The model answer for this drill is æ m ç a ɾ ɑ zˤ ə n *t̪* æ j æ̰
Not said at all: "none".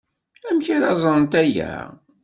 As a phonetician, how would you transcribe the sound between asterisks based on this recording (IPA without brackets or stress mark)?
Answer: t̪